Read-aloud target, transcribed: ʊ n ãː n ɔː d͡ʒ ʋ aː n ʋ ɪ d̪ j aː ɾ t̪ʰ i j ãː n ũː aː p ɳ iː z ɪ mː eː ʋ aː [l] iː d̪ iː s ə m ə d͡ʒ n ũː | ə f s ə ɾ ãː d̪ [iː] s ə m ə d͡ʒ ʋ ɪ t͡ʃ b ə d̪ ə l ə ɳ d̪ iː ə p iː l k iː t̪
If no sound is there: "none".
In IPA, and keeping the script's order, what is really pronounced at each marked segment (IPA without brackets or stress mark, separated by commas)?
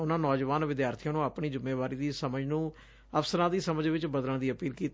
ɾ, iː